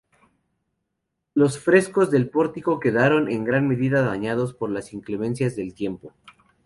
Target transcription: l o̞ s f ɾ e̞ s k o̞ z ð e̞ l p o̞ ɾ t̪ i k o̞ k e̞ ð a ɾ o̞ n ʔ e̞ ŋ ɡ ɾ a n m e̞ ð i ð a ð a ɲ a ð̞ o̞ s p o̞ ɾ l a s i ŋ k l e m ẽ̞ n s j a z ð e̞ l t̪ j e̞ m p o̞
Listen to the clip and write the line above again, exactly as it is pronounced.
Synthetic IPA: l o̞ s f ɾ e̞ s k o̞ z ð e̞ l p o̞ ɾ t̪ i k o̞ k e̞ ð a ɾ o̞ n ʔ e̞ ŋ ɡ ɾ a n m e̞ ð i ð a ð a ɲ a ð̞ o̞ s p o̞ ɾ l a s i ŋ k l e m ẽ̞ n s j a z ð e̞ l t̪ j e̞ m p o̞

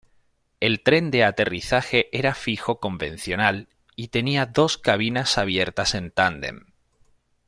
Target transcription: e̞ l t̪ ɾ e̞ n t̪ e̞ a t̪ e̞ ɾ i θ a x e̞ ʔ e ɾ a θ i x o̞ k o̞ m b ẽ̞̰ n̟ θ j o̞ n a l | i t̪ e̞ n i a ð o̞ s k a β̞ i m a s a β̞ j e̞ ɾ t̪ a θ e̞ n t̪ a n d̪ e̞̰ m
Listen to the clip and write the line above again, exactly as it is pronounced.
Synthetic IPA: e̞ l t̪ ɾ e̞ n d̪ e̞ a t̪ e̞ r i θ a x e̞ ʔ e ɾ a f i x o̞ k o̞ m b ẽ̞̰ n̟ θ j o̞ n a l | i t̪ e̞ n i a ð o̞ s k a β̞ i n a s a β̞ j e̞ ɾ t̪ a s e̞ n t̪ a n d̪ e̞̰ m

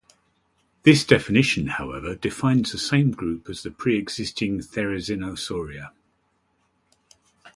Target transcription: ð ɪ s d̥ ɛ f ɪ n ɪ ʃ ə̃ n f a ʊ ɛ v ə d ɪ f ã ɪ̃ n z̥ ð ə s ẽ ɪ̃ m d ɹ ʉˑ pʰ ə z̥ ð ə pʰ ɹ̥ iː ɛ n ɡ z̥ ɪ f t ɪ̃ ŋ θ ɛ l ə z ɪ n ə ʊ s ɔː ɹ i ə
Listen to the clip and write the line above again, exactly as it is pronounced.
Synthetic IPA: ð ɪ s d̥ ɛ f ɪ n ɪ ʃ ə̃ n h a ʊ ɛ v ə d ɪ f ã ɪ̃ n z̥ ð ə s ẽ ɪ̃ m ɡ ɹ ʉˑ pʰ ə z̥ ð ə pʰ ɹ̥ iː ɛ ɡ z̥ ɪ s t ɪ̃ ŋ θ ɛ ɹ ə z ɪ n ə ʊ s ɔː ɹ i ə

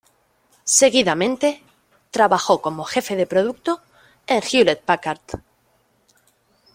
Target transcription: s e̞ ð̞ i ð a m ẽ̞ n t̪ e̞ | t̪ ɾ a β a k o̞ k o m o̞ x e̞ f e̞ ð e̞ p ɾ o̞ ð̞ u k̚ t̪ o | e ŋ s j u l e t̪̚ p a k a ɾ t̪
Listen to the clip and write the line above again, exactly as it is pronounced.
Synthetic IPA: s e̞ ɣ̞ i ð a m ẽ̞ n t̪ e̞ | t̪ ɾ a β a x o̞ k o m o̞ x e̞ f e̞ ð e̞ p ɾ o̞ ð̞ u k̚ t̪ o | e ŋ x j u l e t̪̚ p a k a ɾ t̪

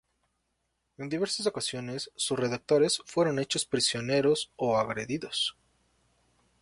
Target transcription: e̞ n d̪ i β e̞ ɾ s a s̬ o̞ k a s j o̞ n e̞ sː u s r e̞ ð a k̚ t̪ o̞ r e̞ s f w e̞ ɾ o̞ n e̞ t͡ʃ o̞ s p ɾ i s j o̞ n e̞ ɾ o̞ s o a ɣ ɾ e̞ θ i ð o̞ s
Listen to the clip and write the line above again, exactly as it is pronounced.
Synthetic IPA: e̞ n d̪ i β e̞ ɾ s a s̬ o̞ k a s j o̞ n e̞ sː u s r e̞ ð a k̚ t̪ o̞ ɾ e̞ s f w e̞ ɾ o̞ n e̞ t͡ʃ o̞ s p ɾ i s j o̞ n e̞ ɾ o̞ s o a ɣ ɾ e̞ ð i ð o̞ s

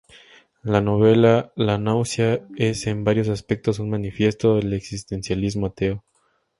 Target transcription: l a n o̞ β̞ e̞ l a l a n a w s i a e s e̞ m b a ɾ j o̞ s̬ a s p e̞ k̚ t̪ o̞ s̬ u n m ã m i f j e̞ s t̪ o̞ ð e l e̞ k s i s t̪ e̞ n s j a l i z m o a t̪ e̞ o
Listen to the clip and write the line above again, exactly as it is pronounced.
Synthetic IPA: l a n o̞ β̞ e̞ l a l a n a w s j a e s e̞ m b a ɾ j o̞ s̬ a s p e̞ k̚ t̪ o̞ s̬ u n m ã n i f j e̞ s t̪ o̞ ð e l e̞ k s i s t̪ e̞ n s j a l i z m o a t̪ e̞ o

